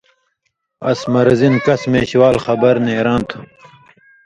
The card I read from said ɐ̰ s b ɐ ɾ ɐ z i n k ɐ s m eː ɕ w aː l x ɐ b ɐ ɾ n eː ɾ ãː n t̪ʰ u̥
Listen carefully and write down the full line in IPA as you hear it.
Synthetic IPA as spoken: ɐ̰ s m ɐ ɾ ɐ z i n k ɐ s m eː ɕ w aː l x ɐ b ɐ ɾ n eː ɾ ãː n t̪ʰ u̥